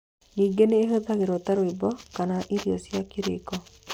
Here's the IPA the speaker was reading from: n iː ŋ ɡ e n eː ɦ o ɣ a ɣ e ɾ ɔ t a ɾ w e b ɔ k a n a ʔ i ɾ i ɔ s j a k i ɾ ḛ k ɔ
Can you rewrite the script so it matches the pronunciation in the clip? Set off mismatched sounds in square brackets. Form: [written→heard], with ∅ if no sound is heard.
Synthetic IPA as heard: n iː ŋ ɡ e n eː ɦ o [ɣ→ð] a ɣ e ɾ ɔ t a ɾ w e b ɔ k a n a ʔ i ɾ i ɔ s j a k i ɾ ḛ k ɔ